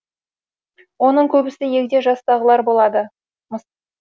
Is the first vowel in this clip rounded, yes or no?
yes